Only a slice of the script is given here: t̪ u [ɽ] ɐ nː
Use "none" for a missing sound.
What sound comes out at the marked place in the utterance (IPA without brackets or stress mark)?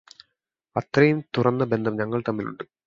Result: r